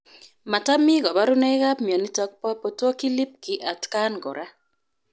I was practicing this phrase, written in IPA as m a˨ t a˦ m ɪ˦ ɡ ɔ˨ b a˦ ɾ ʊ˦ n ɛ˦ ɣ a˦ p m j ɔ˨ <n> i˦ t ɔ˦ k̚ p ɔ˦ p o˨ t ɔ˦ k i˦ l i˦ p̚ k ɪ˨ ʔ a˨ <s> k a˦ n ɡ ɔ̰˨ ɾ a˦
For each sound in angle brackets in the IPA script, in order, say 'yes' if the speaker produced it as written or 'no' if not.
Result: yes, no

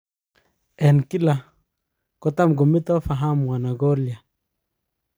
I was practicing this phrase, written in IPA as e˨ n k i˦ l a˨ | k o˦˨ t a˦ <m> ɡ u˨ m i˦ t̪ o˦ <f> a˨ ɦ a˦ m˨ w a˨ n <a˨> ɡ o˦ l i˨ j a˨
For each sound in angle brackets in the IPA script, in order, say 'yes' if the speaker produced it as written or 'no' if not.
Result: yes, yes, yes

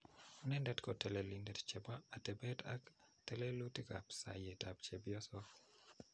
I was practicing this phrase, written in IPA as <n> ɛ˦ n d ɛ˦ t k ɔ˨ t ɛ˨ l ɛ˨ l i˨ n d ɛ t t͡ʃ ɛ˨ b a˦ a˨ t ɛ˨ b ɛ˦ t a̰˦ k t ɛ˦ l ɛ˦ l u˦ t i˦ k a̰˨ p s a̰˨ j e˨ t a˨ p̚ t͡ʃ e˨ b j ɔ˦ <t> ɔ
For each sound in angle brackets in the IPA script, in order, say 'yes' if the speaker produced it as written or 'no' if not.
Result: yes, no

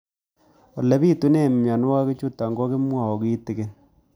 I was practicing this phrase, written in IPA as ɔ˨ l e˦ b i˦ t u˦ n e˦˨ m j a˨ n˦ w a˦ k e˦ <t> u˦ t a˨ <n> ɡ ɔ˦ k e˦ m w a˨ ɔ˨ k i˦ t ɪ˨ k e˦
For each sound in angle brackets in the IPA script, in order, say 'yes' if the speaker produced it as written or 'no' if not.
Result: no, no

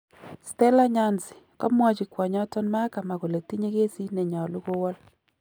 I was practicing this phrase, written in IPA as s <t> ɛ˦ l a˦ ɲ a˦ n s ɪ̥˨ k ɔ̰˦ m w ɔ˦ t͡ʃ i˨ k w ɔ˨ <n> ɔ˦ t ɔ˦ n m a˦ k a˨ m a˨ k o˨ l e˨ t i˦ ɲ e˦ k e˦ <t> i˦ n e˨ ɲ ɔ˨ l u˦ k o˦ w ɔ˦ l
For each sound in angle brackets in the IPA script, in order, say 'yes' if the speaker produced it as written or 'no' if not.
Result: yes, no, no

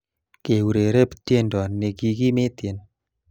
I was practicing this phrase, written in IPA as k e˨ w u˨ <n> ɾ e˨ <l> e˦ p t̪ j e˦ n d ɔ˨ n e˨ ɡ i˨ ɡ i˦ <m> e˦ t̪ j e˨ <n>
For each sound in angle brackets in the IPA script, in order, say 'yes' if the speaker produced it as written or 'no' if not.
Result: no, no, yes, yes

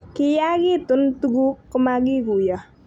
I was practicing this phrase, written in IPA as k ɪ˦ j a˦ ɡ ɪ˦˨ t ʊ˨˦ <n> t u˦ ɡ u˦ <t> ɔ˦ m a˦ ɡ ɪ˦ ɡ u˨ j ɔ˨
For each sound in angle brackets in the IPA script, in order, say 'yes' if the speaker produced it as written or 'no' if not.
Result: yes, no

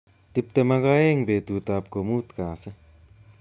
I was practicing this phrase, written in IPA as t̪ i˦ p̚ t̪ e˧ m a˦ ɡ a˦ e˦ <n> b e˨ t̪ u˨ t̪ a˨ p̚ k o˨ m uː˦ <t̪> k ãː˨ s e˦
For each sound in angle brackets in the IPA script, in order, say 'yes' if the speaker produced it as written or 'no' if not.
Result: no, yes

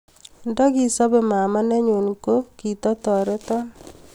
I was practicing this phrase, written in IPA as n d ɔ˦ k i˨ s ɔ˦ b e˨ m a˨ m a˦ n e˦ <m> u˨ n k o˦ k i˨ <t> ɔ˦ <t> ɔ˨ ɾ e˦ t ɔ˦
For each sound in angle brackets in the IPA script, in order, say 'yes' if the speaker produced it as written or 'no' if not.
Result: no, yes, yes

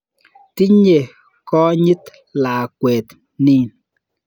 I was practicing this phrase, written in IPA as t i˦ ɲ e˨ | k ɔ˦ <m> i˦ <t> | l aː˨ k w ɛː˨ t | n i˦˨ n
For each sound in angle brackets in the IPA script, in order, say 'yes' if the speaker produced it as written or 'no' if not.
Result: no, yes

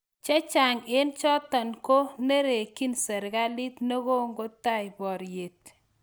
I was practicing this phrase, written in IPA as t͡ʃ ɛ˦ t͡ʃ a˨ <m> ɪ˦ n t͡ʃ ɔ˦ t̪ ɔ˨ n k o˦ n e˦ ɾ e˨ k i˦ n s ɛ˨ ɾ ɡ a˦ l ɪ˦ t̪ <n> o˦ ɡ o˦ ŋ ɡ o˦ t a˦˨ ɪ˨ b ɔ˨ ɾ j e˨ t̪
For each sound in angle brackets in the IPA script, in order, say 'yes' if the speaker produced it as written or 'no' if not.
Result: no, yes

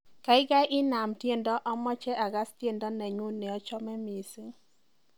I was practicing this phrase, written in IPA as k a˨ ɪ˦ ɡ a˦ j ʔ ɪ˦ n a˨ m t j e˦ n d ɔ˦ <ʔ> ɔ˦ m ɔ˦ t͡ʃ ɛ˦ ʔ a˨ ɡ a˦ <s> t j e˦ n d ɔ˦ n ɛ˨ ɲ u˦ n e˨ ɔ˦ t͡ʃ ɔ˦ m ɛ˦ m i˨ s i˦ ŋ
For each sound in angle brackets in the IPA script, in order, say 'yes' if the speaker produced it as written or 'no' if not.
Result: yes, yes

